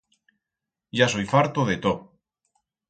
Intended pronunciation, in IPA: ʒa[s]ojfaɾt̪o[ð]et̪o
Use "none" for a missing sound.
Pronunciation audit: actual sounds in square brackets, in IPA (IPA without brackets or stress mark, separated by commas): s, ð